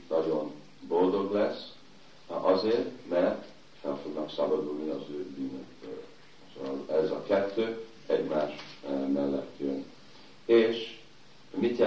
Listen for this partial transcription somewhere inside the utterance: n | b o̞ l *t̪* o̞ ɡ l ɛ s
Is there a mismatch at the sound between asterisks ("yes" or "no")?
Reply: yes